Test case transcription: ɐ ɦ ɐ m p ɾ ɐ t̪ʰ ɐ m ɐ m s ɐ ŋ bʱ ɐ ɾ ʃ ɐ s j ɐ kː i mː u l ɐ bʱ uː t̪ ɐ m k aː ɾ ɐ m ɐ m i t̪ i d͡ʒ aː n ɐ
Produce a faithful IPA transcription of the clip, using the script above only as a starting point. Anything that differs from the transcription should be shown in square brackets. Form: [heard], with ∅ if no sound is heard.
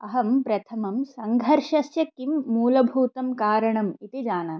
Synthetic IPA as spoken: ɐ ɦ ɐ m p ɾ ɐ t̪ʰ ɐ m ɐ m s ɐ ŋ [ɡʱ] ɐ ɾ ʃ ɐ s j ɐ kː i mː [uː] l ɐ bʱ uː t̪ ɐ m k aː ɾ ɐ [ɳ] ɐ m i t̪ i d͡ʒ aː n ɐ